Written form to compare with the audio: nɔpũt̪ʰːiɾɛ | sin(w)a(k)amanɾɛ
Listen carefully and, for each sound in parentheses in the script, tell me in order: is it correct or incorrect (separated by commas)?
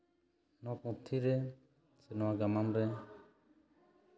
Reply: correct, incorrect